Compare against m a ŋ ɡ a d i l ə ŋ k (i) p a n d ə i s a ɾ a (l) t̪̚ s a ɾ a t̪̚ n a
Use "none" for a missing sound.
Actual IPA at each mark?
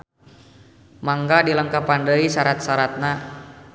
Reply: a, none

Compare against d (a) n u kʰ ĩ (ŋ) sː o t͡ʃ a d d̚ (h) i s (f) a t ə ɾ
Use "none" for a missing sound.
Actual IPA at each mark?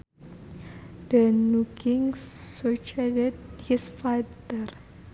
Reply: ə, ŋ, h, f

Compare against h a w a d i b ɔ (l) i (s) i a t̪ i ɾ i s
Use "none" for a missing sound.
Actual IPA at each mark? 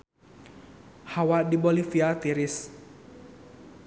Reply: l, f

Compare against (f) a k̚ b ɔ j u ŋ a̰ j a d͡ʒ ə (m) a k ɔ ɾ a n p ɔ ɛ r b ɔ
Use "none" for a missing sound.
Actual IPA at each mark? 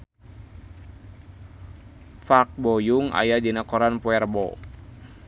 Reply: f, n

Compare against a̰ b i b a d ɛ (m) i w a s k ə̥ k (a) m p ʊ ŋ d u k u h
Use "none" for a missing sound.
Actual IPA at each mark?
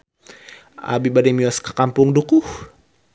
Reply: m, a

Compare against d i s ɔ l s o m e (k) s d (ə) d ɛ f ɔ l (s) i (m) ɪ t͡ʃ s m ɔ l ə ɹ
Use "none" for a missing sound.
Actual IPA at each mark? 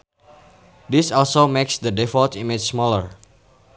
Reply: k, ə, t, m

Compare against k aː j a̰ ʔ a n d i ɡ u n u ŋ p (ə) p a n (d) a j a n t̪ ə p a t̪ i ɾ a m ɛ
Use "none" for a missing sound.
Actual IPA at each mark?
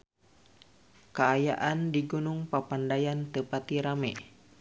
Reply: a, d

